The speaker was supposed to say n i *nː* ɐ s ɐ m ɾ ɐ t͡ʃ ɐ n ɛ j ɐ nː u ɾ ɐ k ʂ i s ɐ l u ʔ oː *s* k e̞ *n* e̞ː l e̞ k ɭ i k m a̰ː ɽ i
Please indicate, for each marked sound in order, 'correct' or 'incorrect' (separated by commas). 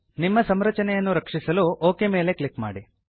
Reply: incorrect, incorrect, incorrect